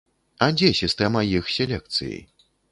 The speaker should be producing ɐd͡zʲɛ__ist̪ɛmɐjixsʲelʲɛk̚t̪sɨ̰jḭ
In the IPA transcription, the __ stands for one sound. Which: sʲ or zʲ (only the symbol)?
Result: sʲ